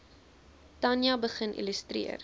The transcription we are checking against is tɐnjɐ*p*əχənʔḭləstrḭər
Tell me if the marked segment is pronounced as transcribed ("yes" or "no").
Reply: no